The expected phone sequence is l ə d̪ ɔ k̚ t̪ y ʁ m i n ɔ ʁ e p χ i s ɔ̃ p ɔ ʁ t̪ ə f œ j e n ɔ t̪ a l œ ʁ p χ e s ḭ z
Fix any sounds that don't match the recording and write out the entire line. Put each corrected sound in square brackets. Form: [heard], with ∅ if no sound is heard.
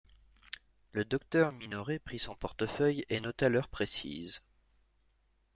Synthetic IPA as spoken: l ə d̪ ɔ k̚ t̪ [œ] ʁ m i n ɔ ʁ e p χ i s ɔ̃ p ɔ ʁ t̪ ə f œ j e n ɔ t̪ a l œ ʁ p χ e s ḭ z